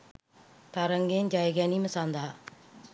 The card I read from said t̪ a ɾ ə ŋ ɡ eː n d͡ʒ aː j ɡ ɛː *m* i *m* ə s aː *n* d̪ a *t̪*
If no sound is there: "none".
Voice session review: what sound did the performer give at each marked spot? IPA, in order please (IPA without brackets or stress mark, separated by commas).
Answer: n, m, n, none